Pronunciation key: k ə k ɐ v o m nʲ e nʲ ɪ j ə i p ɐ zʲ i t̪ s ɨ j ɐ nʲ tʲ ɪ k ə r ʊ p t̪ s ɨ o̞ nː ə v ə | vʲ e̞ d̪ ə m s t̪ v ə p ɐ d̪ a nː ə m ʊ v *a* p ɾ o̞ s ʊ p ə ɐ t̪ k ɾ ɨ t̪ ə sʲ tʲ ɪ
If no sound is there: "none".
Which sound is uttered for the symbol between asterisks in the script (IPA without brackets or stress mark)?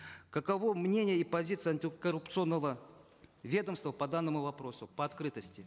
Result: ɐ